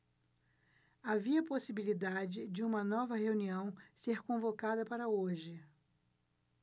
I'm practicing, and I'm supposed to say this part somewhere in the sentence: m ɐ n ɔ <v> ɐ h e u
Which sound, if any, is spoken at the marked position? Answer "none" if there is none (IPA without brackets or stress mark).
v